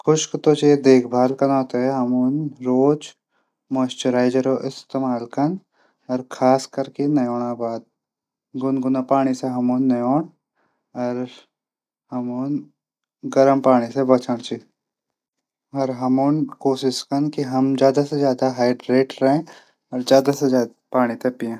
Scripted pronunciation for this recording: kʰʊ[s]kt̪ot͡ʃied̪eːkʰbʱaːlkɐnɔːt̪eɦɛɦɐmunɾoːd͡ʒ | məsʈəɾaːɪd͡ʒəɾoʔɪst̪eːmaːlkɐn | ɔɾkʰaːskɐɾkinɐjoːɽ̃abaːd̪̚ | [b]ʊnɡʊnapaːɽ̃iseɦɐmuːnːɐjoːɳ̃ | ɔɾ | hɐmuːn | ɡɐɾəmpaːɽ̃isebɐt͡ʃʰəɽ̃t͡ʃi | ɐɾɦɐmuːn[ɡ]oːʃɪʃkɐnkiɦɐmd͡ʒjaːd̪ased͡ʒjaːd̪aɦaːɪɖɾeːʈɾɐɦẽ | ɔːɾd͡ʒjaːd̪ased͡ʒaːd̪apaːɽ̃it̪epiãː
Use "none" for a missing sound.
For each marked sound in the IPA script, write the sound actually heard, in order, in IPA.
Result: ʃ, ɡ, k

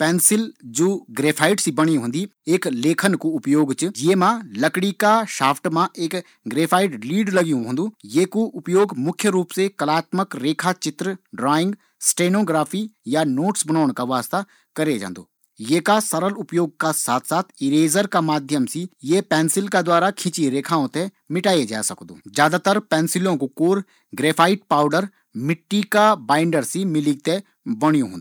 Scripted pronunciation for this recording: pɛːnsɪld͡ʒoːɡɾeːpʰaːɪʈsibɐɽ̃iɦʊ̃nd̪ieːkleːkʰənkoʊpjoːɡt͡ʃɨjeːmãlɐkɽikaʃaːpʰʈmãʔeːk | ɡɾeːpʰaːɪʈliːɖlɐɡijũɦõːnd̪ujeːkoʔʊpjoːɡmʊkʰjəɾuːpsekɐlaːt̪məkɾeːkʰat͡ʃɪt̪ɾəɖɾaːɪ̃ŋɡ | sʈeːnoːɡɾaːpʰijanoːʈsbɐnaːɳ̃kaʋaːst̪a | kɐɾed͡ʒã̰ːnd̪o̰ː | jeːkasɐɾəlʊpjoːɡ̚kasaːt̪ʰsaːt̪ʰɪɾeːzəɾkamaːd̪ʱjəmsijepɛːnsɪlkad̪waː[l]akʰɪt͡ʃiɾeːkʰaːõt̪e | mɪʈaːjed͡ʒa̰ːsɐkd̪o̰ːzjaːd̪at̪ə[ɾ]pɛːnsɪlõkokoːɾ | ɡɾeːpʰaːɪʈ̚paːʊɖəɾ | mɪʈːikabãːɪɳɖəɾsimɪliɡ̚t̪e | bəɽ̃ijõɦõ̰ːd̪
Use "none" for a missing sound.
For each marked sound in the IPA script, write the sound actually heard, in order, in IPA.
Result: ɾ, ɾ

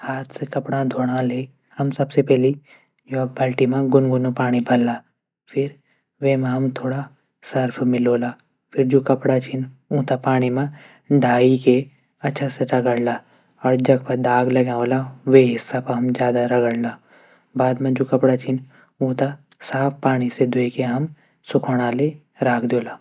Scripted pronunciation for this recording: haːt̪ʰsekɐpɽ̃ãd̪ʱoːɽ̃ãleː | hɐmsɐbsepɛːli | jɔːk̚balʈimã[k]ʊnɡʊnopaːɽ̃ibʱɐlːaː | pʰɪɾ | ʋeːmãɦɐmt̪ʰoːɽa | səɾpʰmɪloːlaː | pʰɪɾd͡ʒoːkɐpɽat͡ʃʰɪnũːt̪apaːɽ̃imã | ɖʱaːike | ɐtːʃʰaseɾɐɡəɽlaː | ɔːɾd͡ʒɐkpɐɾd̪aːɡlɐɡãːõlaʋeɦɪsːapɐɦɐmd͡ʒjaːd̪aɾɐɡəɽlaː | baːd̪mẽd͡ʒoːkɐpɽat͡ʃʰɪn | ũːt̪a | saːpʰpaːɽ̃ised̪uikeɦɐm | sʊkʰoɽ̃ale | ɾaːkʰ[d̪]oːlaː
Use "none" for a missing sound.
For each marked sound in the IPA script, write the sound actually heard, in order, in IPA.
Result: ɡ, d̪

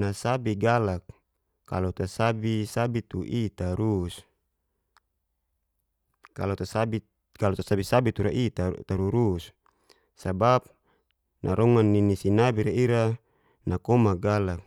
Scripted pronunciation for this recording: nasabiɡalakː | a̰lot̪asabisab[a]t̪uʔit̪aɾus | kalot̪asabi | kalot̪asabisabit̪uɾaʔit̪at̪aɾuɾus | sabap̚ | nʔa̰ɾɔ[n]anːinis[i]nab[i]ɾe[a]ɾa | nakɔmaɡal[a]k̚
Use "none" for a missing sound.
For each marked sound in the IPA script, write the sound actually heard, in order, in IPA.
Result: i, ŋ, i, i, i, a

